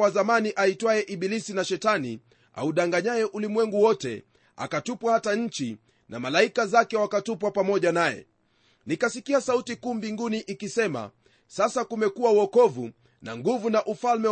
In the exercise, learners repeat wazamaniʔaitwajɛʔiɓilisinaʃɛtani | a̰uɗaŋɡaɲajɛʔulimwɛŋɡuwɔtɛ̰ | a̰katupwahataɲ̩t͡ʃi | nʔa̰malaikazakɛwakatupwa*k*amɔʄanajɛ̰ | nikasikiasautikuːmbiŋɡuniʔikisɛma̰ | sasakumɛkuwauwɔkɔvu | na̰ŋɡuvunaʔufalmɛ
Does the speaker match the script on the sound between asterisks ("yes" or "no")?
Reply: no